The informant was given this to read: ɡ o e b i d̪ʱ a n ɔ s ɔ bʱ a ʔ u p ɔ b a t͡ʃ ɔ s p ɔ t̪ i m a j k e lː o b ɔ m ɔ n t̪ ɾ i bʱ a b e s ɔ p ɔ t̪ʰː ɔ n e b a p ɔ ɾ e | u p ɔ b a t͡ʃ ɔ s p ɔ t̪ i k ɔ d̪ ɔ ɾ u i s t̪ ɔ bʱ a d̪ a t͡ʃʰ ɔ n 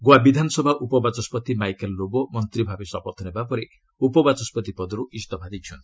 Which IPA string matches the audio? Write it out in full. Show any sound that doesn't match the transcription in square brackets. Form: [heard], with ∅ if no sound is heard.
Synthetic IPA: ɡ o [a] b i d̪ʱ a n ɔ s ɔ bʱ a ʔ u p ɔ b a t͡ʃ ɔ s p ɔ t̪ i m a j k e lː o b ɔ m ɔ n t̪ ɾ i bʱ a b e s ɔ p ɔ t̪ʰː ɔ n e b a p ɔ ɾ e | u p ɔ b a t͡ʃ ɔ s p ɔ t̪ i [p] ɔ d̪ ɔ ɾ u i s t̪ ɔ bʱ a d̪ [i] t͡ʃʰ ɔ n